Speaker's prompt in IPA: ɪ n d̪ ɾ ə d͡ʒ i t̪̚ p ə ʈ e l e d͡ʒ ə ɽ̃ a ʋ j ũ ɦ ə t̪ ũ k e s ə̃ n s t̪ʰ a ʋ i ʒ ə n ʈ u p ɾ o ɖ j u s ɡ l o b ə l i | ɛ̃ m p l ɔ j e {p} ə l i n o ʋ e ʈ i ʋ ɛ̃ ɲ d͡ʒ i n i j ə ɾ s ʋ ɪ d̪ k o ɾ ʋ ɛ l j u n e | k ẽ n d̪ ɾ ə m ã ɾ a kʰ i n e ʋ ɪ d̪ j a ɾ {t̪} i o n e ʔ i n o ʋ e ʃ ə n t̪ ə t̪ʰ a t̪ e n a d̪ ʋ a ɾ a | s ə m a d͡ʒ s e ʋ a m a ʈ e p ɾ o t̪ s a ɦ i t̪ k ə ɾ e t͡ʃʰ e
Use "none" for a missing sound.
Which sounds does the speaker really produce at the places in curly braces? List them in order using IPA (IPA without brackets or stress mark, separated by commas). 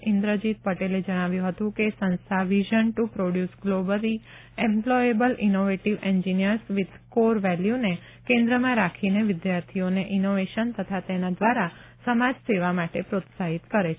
b, t̪ʰ